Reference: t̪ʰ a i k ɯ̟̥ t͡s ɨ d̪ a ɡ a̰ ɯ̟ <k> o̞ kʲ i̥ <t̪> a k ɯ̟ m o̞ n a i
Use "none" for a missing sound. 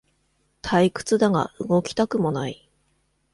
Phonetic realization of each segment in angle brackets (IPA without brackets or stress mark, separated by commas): ɡ, t̪